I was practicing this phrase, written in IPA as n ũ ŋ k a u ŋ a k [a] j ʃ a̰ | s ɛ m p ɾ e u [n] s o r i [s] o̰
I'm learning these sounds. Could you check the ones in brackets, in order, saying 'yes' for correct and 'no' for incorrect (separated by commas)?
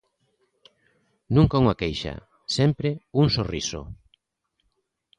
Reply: no, no, yes